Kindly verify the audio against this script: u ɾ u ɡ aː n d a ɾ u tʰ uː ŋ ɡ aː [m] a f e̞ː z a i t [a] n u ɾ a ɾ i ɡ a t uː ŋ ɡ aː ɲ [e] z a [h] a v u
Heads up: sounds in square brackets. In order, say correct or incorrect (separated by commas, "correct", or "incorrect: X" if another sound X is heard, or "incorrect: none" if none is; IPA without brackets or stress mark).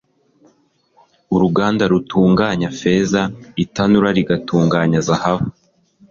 incorrect: ɲ, correct, incorrect: a, correct